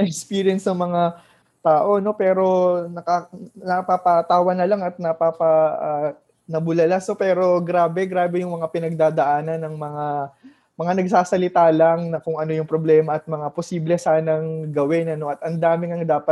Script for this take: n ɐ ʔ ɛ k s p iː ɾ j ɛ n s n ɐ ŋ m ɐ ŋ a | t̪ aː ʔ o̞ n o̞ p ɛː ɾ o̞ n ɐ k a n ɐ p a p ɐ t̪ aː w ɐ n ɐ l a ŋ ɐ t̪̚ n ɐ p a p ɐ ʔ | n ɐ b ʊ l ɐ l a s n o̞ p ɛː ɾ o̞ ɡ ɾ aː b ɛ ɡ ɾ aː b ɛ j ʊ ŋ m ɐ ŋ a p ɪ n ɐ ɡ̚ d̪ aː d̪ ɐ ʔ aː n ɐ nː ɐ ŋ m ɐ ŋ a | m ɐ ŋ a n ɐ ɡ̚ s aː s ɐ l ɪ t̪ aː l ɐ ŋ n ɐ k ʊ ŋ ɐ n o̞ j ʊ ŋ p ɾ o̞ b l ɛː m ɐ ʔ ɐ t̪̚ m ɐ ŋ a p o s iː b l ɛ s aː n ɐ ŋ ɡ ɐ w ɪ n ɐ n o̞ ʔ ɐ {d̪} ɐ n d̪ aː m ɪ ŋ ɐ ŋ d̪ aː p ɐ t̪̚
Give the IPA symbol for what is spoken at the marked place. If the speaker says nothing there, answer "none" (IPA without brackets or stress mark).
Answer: t̪